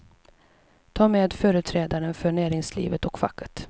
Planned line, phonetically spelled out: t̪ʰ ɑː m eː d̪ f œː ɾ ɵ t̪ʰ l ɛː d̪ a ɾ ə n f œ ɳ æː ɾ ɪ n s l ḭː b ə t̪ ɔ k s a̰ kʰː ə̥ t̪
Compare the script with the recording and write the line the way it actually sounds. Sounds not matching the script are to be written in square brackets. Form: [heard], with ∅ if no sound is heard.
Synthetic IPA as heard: t̪ʰ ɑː m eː d̪ f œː ɾ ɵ t̪ʰ [ɾ] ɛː d̪ a ɾ ə n f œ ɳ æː ɾ ɪ [ŋ] s l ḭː [v] ə t̪ ɔ k [f] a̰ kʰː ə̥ t̪